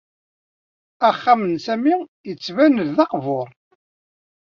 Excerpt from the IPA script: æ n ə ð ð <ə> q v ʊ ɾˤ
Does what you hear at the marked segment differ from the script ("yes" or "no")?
yes